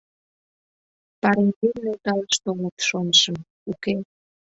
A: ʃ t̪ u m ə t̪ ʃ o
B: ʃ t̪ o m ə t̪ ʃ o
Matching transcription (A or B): B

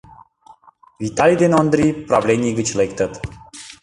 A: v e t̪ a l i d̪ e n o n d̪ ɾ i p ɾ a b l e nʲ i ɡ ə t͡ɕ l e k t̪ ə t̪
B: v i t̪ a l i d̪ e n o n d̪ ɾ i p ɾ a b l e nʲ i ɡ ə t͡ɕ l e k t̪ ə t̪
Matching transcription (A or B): B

